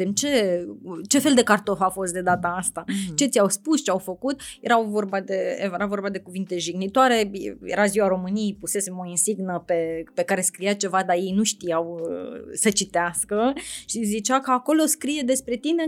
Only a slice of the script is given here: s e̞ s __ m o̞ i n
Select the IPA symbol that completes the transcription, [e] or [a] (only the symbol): e